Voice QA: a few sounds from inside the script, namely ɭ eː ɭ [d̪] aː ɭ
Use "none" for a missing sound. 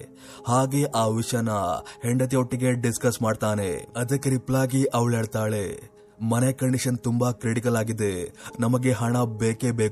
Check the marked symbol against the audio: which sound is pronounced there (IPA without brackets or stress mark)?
t̪